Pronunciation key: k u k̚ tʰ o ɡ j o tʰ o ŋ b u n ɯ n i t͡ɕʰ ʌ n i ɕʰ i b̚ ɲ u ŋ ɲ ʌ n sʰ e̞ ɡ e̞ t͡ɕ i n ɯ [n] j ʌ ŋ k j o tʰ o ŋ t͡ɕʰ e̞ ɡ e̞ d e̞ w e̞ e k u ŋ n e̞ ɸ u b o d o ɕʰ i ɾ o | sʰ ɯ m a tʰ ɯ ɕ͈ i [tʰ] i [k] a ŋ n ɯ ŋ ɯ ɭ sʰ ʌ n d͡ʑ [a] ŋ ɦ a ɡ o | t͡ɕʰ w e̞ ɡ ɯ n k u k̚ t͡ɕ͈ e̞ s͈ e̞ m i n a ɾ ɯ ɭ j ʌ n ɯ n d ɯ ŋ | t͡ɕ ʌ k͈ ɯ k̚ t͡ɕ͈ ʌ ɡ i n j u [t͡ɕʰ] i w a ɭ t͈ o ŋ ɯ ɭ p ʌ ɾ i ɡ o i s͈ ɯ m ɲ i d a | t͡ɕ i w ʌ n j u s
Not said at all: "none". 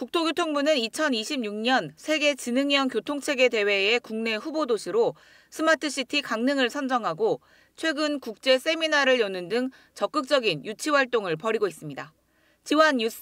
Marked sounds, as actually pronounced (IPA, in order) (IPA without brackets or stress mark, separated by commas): ŋ, tʰ, k, ʌ, t͡ɕʰ